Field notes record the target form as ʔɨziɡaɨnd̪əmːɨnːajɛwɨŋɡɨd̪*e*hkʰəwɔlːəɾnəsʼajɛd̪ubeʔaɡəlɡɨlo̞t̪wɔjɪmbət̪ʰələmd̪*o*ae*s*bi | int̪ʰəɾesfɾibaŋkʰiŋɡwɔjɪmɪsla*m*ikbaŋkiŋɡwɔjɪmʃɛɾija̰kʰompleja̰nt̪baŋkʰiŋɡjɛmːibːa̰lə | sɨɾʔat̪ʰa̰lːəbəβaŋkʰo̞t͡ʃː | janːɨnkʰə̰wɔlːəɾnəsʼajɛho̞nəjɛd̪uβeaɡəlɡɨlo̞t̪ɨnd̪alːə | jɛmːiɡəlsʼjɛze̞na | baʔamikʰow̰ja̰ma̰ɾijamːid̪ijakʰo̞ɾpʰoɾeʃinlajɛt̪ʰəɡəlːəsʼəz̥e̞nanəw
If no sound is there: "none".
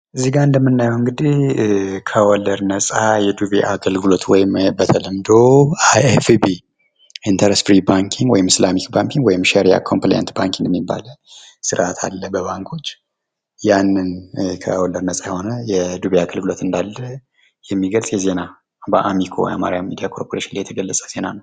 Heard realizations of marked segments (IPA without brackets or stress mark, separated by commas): i, o, f, m